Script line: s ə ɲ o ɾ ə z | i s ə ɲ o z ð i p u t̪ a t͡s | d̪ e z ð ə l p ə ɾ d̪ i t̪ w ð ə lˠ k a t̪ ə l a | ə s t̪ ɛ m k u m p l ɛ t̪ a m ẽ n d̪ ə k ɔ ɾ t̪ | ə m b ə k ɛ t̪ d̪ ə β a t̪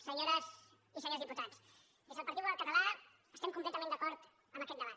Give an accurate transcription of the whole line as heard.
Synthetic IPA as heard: s ə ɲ o ɾ ə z | i s ə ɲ o z ð i p u t̪ a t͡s | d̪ e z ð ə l p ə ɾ t̪ i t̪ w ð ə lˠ k ə t̪ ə l a | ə s t̪ ɛ m k u m p l ɛ t̪ ə m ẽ n d̪ ə k ɔ ɾ t̪ | ə m b ə k ɛ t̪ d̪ ə β a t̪